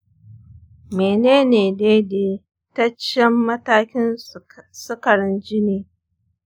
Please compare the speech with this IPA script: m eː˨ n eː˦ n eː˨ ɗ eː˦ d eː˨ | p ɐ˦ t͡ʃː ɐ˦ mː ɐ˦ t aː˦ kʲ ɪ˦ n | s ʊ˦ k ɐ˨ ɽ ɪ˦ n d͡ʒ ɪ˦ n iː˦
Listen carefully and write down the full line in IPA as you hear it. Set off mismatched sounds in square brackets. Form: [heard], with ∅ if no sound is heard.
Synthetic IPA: m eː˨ n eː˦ n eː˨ [d] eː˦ d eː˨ | [t] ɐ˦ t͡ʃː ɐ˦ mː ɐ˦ t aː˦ kʲ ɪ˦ n | s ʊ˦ k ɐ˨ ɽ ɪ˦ n d͡ʒ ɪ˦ n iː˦